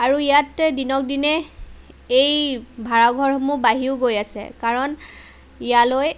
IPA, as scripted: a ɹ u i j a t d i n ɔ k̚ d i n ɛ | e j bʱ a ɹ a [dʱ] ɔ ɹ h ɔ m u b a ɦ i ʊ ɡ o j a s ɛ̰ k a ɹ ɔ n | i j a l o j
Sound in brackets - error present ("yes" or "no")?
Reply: yes